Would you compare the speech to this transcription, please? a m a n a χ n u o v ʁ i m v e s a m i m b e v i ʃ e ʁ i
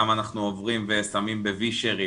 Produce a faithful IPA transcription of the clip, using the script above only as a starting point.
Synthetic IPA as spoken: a m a n a χ n u o v ʁ i m v e s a m i m b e v i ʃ e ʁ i